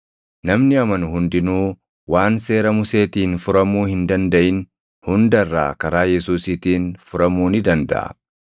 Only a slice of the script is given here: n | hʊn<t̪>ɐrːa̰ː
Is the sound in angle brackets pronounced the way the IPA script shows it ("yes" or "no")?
no